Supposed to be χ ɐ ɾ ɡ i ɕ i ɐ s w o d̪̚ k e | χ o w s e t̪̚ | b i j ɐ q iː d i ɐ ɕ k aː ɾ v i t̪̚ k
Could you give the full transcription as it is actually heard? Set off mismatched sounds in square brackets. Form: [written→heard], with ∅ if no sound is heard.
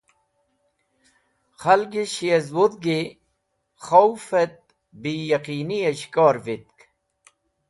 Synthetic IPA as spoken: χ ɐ [ɾ→l] ɡ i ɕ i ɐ [s→z] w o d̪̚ [k→ɡ] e | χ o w [s→f] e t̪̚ | b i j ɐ q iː [d→n] i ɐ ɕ k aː ɾ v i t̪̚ k